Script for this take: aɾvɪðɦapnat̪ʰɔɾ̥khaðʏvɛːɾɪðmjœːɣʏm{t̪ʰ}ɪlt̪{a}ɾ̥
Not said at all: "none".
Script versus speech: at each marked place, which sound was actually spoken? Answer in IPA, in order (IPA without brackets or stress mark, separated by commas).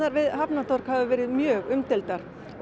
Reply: t̪, a